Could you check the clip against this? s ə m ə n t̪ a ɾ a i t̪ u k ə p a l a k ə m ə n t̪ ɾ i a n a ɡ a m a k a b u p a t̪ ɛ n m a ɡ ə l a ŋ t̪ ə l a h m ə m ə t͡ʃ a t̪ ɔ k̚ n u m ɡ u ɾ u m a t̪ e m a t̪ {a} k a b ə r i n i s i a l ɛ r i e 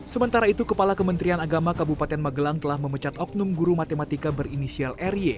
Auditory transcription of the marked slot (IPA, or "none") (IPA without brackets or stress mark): i